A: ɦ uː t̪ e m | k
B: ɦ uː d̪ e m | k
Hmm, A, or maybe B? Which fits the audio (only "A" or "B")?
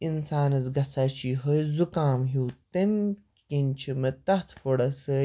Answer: A